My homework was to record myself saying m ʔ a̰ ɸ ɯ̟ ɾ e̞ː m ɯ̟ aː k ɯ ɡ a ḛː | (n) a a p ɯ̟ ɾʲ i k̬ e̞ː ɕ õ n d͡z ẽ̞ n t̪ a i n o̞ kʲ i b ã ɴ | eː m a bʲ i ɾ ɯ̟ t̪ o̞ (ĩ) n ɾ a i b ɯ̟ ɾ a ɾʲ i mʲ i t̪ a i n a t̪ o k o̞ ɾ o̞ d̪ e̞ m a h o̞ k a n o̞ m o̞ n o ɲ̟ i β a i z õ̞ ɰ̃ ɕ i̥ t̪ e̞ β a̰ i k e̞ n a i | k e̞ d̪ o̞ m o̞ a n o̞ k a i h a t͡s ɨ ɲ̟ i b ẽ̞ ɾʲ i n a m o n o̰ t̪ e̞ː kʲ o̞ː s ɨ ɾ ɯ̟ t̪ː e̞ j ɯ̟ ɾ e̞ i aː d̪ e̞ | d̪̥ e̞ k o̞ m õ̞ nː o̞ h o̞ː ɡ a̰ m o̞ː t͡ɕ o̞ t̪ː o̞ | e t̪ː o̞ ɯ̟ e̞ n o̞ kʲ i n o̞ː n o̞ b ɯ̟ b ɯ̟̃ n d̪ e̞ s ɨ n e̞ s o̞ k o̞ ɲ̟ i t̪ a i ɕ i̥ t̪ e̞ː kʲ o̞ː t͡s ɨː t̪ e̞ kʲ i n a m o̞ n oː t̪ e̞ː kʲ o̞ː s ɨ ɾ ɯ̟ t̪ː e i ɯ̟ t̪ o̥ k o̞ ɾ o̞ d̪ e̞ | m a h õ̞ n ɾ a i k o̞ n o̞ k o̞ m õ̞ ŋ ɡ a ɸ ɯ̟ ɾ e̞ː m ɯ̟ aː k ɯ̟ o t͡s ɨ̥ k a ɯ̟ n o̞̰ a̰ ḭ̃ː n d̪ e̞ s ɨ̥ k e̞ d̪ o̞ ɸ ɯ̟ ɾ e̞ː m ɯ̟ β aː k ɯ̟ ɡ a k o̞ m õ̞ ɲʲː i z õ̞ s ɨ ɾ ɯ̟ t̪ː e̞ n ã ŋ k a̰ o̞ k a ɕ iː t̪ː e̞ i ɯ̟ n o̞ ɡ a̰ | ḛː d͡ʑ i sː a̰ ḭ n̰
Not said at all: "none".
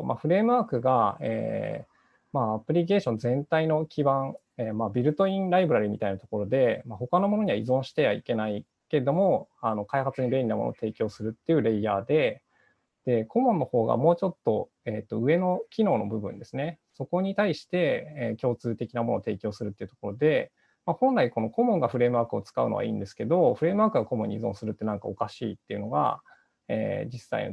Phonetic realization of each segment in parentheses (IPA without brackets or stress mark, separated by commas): m, ĩ